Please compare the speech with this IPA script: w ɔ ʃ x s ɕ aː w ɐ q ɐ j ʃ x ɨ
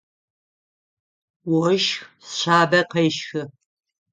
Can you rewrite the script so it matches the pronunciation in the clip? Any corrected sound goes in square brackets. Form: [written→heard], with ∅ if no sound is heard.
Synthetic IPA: w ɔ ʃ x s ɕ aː [w→b] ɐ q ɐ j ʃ x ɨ